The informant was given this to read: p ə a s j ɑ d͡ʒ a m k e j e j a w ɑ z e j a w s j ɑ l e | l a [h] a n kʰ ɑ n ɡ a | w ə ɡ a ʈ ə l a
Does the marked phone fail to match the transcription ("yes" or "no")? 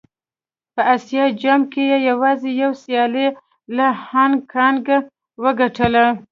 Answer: no